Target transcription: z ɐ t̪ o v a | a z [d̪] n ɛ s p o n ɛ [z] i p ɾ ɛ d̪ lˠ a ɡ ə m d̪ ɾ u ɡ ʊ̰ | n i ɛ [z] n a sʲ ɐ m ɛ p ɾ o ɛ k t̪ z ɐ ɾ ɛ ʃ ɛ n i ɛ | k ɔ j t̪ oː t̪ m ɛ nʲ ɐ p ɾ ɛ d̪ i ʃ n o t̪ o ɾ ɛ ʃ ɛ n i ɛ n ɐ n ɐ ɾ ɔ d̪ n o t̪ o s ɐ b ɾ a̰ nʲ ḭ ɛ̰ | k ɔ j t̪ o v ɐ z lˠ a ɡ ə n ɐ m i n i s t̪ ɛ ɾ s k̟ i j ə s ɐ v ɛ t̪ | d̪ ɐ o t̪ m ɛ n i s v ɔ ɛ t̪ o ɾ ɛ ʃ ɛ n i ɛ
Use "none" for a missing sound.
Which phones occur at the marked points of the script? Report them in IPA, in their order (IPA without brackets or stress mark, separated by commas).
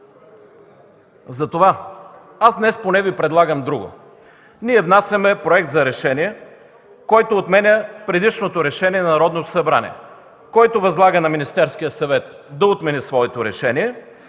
d̪, v, v